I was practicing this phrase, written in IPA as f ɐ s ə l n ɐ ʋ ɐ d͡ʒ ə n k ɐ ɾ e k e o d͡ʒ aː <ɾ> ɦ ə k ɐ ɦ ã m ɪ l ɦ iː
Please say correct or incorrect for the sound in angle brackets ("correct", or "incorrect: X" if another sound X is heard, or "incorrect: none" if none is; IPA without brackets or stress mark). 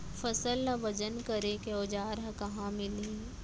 correct